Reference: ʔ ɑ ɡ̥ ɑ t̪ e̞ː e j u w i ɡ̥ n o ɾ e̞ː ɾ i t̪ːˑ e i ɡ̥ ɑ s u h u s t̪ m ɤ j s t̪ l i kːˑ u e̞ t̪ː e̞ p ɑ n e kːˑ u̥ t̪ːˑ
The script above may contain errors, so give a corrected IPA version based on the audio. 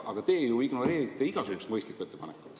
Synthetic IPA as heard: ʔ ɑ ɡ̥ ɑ t̪ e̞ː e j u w i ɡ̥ n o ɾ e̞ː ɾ i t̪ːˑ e i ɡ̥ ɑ s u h u s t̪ m ɤ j s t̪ l i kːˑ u e̞ t̪ː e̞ p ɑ n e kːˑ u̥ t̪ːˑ